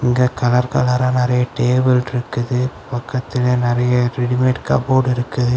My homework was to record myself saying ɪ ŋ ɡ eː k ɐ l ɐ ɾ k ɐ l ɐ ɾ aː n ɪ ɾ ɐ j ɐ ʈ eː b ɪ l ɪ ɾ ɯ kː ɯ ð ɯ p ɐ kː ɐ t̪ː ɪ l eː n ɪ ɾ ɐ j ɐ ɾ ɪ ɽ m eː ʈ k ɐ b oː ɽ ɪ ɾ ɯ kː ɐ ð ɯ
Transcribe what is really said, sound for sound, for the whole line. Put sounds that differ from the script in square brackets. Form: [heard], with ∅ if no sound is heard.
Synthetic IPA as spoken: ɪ ŋ ɡ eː k ɐ l ɐ ɾ k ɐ l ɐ ɾ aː n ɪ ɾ ɐ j ɐ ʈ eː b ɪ l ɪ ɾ ɯ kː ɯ ð ɯ p ɐ kː ɐ t̪ː ɪ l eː n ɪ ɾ ɐ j ɐ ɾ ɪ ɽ m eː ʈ k ɐ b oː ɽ ɪ ɾ ɯ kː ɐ ð ɯ